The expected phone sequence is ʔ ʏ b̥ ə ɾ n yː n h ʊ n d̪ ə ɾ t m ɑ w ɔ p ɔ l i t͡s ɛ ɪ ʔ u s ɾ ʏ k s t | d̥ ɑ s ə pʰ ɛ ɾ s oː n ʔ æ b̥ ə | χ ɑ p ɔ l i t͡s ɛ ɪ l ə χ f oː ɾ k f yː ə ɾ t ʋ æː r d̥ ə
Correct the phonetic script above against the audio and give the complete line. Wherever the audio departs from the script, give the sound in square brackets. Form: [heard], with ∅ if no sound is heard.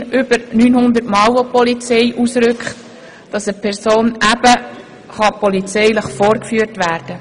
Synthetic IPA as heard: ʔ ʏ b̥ ə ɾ n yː n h ʊ n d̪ ə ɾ t m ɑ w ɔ p ɔ l i t͡s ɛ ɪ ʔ u s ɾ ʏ k [χ] t | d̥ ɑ s ə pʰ ɛ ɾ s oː n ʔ æ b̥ ə | χ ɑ p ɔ l i t͡s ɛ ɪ l ə χ f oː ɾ k f yː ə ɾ t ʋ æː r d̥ ə